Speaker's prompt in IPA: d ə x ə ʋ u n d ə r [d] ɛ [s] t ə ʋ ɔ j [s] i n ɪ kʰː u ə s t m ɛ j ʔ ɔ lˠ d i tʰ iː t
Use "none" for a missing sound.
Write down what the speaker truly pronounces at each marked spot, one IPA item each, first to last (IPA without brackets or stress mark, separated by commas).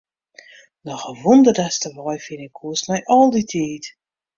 d, s, f